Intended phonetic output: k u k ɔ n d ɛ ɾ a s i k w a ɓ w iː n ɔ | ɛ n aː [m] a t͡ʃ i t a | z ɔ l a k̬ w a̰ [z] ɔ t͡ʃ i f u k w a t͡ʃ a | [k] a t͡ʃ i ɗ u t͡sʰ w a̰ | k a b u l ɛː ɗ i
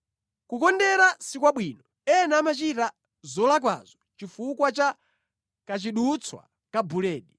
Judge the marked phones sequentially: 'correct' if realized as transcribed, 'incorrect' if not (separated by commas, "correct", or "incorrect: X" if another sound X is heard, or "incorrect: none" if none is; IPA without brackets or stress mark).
correct, correct, correct